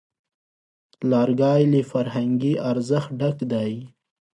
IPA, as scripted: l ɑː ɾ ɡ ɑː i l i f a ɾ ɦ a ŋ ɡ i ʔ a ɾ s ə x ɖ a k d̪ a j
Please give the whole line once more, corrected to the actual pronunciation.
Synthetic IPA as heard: l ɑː ɾ ɡ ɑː j l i f a ɾ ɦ a ŋ ɡ i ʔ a ɾ z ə x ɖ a k d̪ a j